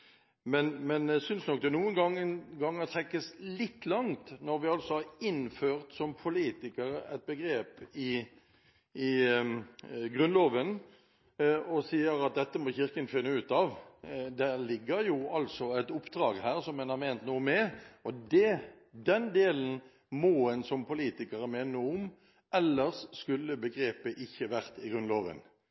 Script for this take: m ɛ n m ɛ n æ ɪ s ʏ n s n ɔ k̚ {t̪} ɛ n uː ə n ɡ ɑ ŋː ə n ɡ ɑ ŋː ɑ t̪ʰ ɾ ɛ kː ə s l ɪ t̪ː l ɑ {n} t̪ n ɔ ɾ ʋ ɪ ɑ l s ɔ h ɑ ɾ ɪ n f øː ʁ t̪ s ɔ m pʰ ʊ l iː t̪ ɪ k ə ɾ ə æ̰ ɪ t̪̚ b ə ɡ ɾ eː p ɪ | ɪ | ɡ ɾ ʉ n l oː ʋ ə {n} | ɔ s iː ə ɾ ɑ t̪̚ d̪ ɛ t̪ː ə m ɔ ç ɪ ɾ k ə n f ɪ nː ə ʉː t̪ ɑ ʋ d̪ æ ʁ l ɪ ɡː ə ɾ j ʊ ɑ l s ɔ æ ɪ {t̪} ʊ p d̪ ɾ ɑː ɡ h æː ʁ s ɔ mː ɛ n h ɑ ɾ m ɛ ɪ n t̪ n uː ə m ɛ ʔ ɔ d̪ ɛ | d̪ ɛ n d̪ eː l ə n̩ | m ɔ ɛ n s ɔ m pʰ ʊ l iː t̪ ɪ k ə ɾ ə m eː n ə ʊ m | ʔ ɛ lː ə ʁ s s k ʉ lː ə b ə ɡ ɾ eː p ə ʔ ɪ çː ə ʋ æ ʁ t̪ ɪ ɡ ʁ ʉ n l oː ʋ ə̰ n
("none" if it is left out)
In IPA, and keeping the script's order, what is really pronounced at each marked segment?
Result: d̪, ŋ, n, t̪

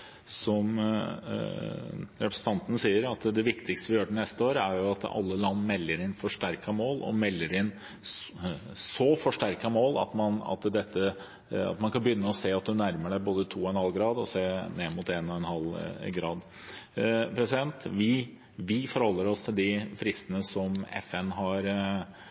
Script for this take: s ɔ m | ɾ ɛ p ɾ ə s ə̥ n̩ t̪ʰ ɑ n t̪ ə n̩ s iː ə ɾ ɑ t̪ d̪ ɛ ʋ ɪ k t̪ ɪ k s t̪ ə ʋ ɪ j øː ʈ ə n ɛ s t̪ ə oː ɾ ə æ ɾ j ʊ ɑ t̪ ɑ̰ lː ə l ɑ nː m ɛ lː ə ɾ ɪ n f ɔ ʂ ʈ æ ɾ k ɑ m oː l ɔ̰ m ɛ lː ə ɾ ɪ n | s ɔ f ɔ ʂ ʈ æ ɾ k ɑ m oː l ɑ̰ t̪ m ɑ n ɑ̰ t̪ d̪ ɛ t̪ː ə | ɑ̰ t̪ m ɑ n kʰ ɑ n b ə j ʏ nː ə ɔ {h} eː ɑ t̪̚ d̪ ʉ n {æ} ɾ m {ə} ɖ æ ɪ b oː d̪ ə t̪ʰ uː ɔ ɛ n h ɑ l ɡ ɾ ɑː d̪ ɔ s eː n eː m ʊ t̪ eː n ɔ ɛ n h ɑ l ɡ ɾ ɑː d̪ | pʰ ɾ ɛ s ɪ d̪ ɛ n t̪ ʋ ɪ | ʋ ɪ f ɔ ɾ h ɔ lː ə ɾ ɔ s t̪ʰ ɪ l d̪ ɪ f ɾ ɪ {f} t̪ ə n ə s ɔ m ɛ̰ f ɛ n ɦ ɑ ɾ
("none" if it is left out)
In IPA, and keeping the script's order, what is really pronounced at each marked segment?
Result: s, æ, ə, s

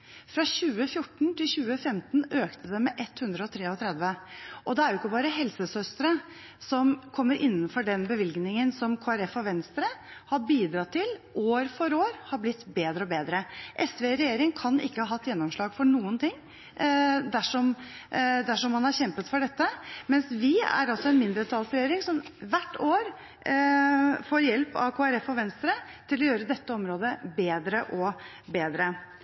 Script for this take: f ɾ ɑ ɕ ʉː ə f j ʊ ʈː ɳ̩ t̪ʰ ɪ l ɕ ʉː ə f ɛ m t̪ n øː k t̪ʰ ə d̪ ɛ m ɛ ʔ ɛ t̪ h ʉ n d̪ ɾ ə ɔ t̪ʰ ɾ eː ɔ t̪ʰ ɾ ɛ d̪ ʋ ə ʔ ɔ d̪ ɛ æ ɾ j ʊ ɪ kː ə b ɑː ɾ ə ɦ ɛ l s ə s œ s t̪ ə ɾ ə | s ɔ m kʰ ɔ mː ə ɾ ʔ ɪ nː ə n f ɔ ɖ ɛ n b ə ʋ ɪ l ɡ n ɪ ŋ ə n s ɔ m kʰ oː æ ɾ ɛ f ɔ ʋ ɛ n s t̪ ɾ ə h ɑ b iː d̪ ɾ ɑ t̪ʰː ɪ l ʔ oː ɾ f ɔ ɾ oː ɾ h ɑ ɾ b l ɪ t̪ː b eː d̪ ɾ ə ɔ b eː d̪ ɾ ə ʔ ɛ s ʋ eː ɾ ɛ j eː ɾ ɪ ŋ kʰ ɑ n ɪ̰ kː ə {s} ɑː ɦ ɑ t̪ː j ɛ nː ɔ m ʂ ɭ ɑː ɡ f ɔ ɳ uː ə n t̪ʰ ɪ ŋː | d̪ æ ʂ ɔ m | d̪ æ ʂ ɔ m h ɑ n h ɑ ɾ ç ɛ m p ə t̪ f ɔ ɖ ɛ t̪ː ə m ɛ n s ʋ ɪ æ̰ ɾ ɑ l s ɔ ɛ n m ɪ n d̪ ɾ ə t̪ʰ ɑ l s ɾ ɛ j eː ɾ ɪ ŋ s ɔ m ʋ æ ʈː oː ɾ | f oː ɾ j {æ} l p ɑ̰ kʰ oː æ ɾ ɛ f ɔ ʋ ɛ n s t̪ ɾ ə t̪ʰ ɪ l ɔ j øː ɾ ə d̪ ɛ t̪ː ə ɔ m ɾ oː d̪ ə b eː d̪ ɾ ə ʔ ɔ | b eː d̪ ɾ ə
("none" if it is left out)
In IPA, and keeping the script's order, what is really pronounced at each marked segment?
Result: h, ɛ

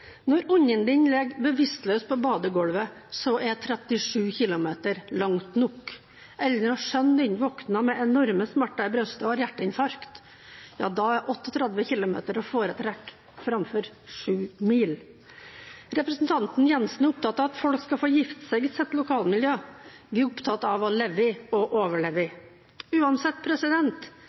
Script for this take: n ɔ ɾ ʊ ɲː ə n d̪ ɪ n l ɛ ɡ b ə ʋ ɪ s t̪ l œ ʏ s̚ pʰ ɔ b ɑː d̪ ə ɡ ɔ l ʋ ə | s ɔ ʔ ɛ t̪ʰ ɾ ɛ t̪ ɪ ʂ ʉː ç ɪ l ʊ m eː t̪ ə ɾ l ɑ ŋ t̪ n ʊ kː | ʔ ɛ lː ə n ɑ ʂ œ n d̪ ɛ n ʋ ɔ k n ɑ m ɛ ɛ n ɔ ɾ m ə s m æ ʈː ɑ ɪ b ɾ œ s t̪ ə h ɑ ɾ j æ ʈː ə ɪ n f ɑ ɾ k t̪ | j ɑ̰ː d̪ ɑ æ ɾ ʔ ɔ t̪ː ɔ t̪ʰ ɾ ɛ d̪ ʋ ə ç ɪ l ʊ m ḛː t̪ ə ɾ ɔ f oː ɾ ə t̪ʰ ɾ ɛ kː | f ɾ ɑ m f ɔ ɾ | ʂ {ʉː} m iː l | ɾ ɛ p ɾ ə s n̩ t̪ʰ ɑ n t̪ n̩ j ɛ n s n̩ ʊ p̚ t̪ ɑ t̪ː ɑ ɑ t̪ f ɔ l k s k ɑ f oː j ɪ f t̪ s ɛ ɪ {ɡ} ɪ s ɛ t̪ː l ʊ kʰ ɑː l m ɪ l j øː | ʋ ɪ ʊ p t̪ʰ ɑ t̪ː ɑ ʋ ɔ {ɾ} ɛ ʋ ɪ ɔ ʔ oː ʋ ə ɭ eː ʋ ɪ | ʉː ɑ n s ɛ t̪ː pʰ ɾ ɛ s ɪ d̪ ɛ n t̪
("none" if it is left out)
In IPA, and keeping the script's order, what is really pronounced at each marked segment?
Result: ʉː, ɡ, l

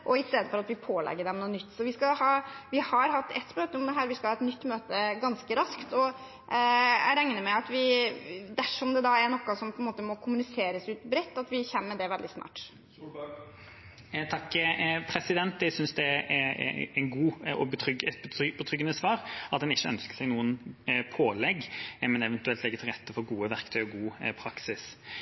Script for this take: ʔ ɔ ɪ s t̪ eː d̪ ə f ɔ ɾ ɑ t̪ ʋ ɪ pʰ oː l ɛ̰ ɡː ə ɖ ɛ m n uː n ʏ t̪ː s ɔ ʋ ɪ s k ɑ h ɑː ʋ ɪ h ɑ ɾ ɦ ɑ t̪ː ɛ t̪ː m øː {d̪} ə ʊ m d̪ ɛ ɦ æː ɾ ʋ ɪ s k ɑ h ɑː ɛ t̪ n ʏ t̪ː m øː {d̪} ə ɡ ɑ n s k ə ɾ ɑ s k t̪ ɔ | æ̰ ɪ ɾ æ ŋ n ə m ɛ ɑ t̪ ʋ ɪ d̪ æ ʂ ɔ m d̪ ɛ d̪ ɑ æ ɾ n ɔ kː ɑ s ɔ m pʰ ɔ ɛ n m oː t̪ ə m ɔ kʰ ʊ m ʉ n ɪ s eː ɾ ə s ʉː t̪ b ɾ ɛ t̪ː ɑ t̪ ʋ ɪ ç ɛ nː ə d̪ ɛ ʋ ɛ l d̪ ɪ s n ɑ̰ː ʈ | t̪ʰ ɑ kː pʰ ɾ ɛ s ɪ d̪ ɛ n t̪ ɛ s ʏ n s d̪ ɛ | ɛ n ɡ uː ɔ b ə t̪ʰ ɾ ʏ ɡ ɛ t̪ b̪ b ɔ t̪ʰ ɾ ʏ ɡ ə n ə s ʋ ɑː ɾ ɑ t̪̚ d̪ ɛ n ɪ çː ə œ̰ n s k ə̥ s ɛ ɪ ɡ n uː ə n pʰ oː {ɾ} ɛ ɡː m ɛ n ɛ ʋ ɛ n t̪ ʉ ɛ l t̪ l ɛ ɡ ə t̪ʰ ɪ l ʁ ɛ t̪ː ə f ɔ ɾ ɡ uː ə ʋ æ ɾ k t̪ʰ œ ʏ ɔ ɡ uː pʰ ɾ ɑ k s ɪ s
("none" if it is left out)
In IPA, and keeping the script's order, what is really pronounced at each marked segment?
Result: t̪, t̪, l

